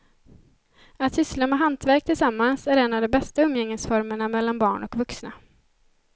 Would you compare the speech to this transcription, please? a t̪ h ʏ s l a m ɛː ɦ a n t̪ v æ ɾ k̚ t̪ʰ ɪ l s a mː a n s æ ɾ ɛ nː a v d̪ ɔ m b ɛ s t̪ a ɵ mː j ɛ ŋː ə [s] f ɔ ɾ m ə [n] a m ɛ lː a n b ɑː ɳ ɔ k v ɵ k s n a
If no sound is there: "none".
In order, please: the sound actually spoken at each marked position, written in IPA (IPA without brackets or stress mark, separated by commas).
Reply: s, ɳ